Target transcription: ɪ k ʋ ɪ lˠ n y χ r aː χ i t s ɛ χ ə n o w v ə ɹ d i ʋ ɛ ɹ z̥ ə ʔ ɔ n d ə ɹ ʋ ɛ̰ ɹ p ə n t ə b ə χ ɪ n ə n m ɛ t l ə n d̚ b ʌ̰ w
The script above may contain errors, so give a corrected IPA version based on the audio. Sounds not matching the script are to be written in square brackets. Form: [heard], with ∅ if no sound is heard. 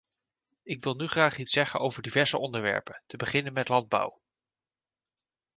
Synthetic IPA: ɪ k ʋ ɪ lˠ n y χ r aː χ i t s ɛ χ ə n o w v ə ɹ d i [v] ɛ ɹ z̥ ə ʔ ɔ n d ə ɹ ʋ ɛ̰ ɹ p ə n t ə b ə χ ɪ n ə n m ɛ t l [ɑ] n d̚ b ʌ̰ w